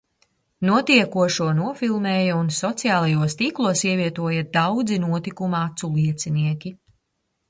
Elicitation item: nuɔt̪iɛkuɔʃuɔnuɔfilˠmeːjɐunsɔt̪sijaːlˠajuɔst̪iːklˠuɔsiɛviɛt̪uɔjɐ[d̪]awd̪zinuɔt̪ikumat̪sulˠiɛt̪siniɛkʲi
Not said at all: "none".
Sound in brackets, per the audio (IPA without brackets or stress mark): d̪